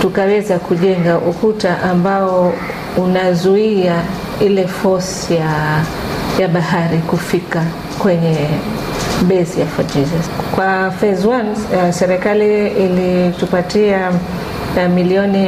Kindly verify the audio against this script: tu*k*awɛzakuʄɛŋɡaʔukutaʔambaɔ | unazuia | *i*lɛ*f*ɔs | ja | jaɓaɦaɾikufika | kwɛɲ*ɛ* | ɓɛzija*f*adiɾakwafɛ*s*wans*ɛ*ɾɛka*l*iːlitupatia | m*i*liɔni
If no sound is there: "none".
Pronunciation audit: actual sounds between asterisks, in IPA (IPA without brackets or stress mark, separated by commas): k, i, f, ɛ, f, z, ɛ, l, i